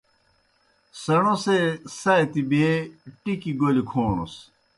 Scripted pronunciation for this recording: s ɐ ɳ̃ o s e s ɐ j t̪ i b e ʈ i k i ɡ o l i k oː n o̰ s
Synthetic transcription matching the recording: s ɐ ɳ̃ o s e s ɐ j t̪ i b e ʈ i k i ɡ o l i kʰ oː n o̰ s

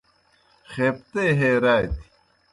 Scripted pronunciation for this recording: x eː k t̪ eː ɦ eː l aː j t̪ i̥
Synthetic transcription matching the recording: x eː p t̪ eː ɦ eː ɾ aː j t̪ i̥

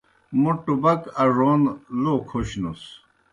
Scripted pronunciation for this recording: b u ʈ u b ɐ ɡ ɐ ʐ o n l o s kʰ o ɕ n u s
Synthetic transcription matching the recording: m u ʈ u b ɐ k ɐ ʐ o n l o kʰ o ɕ n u s

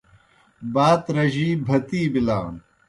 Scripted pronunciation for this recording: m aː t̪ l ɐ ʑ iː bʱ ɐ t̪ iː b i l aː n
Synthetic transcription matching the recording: b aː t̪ ɾ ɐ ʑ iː bʱ ɐ t̪ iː b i l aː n

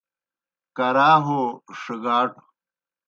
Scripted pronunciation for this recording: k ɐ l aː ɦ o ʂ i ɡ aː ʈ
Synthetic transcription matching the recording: k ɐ ɾ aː ɦ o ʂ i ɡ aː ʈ

